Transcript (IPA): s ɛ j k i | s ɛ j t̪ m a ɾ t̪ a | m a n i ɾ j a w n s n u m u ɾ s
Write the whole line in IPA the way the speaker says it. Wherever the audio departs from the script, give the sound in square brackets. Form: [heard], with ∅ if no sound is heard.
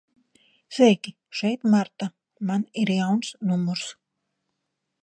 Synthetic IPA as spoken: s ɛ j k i | [ʃ] ɛ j t̪ m a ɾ t̪ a | m a n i ɾ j a w n s n u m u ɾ s

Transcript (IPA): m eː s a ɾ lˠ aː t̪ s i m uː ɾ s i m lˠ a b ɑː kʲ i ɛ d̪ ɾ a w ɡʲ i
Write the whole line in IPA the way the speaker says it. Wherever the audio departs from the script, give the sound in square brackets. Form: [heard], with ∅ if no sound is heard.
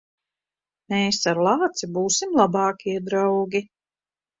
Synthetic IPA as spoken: m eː s a ɾ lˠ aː t̪ s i [b] uː [∅] s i m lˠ a b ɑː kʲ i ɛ d̪ ɾ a w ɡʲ i

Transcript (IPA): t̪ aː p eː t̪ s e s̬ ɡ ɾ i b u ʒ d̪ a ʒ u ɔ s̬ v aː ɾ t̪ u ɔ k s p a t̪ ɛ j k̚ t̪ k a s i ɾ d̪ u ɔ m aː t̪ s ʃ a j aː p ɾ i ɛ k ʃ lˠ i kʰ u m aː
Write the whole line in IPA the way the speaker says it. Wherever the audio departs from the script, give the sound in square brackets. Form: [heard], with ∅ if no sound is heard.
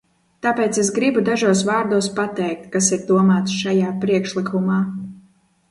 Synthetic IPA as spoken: t̪ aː p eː t̪ s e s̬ ɡ ɾ i b u [∅] d̪ a ʒ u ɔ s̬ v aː ɾ [d̪] u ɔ [∅] s p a t̪ ɛ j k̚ t̪ k a s i ɾ d̪ u ɔ m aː t̪ s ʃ a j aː p ɾ i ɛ k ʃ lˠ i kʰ u m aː

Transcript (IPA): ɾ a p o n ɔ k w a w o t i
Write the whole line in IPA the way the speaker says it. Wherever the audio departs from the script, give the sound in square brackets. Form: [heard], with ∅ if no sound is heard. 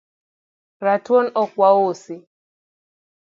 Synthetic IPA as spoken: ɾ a [t] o n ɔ k w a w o [s] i

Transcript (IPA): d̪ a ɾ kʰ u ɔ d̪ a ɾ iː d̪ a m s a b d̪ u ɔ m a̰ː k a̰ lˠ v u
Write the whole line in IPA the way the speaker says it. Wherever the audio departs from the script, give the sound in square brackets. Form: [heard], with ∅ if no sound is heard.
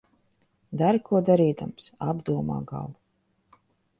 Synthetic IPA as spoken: d̪ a ɾ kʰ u ɔ d̪ a ɾ iː d̪ a m s a b d̪ u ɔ m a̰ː [ɡ] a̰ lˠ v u

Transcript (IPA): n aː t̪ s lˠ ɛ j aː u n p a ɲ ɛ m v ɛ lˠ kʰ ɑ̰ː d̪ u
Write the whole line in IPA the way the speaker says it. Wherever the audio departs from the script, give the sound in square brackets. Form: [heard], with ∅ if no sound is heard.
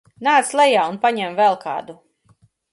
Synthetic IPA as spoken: n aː t̪ s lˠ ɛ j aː u n p a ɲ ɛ m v ɛ lˠ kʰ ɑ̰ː d̪ u

